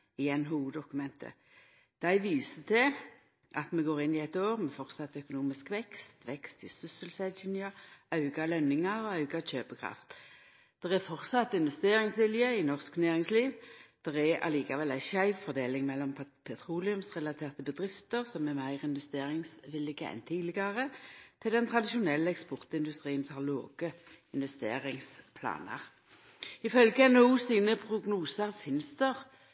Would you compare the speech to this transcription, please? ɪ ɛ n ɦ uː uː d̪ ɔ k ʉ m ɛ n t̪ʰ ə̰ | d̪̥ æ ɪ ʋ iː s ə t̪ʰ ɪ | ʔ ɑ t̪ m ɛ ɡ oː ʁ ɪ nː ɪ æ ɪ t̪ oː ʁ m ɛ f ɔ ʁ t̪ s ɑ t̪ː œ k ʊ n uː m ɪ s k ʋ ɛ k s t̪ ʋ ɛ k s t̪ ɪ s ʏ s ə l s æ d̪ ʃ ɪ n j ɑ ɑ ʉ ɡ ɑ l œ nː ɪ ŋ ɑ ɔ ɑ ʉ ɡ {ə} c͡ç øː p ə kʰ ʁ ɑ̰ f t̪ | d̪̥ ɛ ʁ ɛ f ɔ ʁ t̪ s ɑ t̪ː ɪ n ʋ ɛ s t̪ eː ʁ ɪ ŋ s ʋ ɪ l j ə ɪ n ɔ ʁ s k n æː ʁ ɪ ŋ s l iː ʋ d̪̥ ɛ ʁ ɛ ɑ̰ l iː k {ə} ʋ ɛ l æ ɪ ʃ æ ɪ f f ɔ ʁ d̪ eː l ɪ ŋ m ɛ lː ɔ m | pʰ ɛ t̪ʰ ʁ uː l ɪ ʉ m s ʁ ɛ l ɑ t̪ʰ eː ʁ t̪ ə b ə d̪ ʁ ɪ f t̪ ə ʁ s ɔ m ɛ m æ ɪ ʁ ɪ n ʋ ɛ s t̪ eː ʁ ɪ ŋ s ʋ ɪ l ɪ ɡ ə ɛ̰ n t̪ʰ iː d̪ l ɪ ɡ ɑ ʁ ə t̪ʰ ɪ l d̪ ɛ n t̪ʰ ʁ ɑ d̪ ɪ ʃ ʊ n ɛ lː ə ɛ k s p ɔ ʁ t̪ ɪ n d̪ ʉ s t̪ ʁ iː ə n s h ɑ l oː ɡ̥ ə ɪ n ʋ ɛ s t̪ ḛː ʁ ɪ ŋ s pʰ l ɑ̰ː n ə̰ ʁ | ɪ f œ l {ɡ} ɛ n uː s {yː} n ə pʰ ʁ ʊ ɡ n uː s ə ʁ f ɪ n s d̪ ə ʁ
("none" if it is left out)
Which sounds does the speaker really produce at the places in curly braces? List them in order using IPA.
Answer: ɑ, ɑ, ɡ, iː

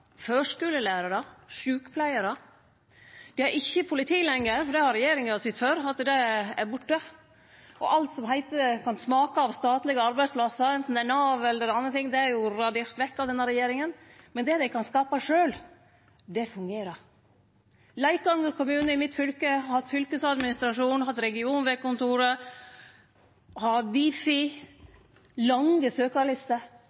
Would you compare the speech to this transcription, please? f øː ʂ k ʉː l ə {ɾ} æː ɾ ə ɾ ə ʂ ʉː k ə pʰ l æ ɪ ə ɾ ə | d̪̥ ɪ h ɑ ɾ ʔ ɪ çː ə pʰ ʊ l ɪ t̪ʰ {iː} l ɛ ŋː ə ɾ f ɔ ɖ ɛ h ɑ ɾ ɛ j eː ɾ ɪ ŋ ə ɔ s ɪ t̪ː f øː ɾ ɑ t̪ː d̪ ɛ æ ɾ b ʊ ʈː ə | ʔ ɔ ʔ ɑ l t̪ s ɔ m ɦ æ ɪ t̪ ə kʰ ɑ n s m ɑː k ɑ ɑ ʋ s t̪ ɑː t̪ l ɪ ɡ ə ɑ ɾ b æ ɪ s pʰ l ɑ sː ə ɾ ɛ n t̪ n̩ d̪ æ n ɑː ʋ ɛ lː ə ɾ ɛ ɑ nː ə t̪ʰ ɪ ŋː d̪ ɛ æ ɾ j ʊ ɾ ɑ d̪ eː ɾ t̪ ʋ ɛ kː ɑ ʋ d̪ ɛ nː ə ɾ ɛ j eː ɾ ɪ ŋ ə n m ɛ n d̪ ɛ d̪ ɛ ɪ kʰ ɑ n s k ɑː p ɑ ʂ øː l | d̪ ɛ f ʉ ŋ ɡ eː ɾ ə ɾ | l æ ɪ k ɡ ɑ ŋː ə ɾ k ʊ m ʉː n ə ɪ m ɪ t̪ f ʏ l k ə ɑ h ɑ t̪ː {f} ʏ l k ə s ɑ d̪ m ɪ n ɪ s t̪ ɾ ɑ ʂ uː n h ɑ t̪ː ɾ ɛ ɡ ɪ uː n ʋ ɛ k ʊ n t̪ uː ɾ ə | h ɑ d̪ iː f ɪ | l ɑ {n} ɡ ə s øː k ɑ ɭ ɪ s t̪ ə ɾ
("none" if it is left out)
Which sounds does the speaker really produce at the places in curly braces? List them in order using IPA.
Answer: l, iː, f, ŋ

